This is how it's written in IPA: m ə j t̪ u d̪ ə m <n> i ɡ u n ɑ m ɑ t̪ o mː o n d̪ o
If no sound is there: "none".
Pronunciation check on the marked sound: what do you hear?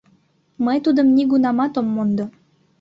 n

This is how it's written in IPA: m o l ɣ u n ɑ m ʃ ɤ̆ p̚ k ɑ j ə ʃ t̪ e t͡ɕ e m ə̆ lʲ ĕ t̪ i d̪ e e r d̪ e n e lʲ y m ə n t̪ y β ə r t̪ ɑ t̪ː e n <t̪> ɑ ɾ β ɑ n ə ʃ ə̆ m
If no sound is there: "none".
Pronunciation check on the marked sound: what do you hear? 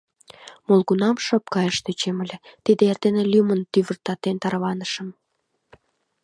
t̪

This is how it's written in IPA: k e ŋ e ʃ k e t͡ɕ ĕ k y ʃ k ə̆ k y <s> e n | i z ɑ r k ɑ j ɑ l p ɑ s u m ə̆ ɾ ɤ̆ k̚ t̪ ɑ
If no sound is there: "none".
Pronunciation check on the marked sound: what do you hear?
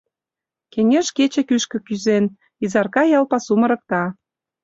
z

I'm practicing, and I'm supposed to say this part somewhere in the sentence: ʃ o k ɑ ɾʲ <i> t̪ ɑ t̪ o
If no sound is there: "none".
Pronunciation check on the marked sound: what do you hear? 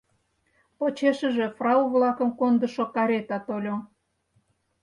e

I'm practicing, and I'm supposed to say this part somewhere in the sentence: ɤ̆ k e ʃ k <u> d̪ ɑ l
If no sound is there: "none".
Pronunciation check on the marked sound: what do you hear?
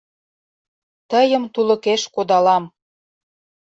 o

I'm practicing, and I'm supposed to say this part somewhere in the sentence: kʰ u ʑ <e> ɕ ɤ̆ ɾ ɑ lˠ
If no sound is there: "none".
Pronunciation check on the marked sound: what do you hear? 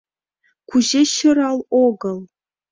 e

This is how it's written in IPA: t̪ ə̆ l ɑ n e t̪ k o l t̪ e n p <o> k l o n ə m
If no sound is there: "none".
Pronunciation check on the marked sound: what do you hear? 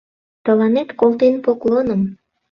o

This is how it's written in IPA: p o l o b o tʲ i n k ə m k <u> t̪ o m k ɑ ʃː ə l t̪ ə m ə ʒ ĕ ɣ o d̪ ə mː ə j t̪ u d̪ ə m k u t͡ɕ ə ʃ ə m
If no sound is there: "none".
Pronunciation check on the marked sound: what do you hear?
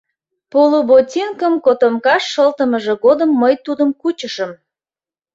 o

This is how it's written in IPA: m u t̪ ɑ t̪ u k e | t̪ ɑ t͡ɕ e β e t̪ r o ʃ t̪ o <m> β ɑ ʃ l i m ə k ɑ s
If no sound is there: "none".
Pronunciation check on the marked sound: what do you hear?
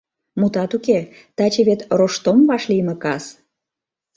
m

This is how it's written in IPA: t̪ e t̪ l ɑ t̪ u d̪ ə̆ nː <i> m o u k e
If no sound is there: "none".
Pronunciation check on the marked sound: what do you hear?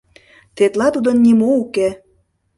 i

